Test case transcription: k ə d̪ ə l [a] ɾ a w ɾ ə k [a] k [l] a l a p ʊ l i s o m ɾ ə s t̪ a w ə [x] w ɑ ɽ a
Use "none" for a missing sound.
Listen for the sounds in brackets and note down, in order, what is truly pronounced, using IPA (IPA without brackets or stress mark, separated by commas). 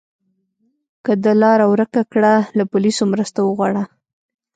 ɑ, a, ɽ, ɣ